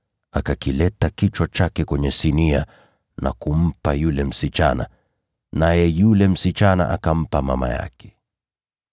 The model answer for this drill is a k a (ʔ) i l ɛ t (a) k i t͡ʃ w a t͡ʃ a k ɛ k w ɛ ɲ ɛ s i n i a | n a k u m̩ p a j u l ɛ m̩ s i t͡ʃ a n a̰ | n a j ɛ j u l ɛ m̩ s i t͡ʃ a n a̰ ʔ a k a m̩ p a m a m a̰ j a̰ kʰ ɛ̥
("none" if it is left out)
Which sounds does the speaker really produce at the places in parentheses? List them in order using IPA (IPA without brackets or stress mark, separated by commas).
k, a